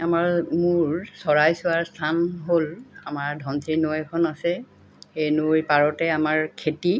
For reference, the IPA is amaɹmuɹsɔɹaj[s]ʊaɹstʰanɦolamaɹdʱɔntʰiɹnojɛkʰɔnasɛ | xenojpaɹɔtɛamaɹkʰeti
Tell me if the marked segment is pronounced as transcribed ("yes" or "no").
yes